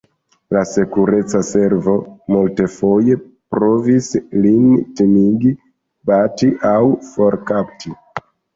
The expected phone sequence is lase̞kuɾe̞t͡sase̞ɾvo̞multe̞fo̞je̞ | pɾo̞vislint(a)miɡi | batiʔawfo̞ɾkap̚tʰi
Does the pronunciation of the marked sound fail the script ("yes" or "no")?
yes